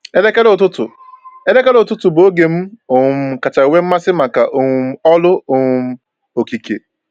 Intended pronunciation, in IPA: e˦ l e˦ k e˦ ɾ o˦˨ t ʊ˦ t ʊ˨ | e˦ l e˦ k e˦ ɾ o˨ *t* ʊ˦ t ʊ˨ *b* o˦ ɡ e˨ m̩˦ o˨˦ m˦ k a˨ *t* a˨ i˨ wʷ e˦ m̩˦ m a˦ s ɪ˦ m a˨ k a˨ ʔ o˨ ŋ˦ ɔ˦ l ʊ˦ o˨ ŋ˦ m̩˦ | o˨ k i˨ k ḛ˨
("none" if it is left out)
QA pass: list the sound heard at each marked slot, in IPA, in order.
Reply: t, b, t͡ʃ

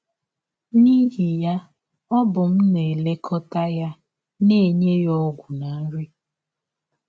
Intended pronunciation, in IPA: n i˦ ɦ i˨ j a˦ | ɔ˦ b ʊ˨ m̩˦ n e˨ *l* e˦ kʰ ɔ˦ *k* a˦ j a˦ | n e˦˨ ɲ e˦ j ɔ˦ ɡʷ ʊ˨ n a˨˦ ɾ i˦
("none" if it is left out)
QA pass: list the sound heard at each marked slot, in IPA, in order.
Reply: l, t

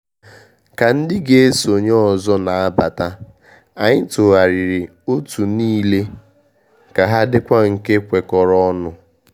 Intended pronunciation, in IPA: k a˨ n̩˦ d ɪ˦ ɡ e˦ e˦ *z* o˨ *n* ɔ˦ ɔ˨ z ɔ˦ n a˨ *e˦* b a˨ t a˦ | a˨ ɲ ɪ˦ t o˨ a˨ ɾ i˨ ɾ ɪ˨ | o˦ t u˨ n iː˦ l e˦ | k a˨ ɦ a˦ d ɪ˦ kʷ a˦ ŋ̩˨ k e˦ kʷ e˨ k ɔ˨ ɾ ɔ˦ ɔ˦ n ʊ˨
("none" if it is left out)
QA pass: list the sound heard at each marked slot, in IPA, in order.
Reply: s, ɲ, a˦

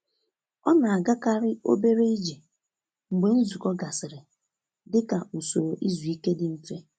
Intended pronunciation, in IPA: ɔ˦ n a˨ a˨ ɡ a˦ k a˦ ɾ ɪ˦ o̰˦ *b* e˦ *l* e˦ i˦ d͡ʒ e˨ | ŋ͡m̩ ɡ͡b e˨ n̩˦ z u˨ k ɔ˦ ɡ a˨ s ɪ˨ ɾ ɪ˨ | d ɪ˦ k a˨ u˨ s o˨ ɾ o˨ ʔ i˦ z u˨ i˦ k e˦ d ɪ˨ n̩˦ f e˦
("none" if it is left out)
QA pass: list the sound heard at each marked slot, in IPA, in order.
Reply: b, ɾ

